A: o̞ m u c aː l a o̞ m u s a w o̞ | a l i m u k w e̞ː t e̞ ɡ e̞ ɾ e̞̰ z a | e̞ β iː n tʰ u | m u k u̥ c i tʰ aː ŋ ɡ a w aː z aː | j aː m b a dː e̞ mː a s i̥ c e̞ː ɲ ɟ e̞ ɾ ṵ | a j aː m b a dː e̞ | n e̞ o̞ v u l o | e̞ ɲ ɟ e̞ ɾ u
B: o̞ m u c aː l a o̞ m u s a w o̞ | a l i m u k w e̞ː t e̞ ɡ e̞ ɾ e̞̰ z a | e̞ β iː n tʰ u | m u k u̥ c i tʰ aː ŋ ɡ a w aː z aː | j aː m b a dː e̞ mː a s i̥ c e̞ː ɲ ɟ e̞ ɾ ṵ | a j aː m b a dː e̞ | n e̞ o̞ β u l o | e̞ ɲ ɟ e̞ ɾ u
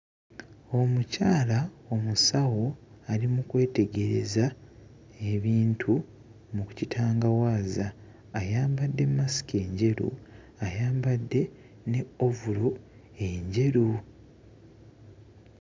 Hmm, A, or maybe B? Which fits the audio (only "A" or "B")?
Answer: A